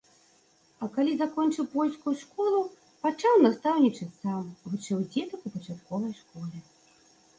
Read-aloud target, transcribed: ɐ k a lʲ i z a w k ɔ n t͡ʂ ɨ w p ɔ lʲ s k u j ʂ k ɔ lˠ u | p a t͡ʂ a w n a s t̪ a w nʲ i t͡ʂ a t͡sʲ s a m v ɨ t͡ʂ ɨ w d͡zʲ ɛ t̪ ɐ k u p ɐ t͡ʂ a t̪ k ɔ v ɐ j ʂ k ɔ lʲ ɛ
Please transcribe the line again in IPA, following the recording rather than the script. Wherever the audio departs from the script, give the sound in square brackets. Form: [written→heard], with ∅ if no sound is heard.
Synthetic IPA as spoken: ɐ k a lʲ i z a [w→∅] k ɔ n t͡ʂ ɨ w p ɔ lʲ s k u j ʂ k ɔ lˠ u | p a t͡ʂ a w n a s t̪ a w nʲ i t͡ʂ [a→ɐ] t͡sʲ s a m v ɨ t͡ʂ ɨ w d͡zʲ ɛ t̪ ɐ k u p ɐ t͡ʂ a t̪ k ɔ v ɐ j ʂ k ɔ lʲ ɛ